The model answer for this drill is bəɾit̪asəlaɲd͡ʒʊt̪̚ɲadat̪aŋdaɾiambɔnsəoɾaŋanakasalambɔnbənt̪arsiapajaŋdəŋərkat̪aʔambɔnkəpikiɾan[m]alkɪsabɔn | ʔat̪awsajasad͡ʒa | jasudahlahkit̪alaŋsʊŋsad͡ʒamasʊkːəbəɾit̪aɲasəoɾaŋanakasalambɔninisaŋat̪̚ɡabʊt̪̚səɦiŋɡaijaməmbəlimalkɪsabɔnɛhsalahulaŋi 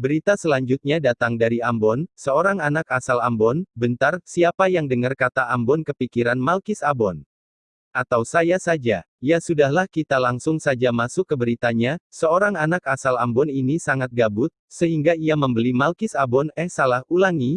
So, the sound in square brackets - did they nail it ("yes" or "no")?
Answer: yes